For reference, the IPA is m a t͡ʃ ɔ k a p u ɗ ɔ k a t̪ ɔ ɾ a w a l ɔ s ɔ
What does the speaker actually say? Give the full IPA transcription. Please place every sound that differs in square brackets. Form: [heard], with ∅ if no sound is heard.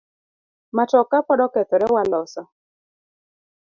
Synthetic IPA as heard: m a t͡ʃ ɔ k a p [ɔ] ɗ ɔ k [ɛ] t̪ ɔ ɾ [ɛ] w a l ɔ s ɔ